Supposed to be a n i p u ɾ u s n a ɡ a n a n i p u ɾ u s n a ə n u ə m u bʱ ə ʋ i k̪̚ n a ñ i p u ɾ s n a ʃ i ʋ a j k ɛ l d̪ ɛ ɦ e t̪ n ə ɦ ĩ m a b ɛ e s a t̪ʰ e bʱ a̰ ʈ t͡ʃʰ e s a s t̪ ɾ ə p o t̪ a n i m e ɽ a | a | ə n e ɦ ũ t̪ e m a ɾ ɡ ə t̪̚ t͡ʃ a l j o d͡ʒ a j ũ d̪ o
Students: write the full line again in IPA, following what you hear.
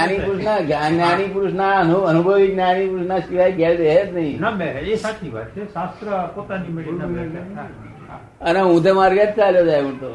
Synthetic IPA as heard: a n i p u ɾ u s n a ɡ a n a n i p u ɾ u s n a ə n u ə n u bʱ ə ʋ i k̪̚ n a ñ i p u ɾ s n a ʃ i ʋ a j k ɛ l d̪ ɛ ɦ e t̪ n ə ɦ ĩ n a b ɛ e s a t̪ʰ i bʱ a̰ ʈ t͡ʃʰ e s a s t̪ ɾ ə p o t̪ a n i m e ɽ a | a | ə n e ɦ ũ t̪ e m a ɾ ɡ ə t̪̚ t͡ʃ a l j o d͡ʒ a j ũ t̪ o